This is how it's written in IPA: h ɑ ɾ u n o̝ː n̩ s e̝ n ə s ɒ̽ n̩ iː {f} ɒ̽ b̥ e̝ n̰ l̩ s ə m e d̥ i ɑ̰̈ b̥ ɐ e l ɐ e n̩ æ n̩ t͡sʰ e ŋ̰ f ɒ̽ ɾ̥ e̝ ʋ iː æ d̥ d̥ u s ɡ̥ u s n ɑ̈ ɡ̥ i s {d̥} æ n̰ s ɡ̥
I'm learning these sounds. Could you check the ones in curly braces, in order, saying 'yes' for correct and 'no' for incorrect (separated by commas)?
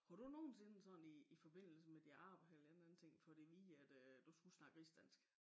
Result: yes, yes